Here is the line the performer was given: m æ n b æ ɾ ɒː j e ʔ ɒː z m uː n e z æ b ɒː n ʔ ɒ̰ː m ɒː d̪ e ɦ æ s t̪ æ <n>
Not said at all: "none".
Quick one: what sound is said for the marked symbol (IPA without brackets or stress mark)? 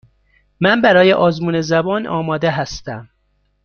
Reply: m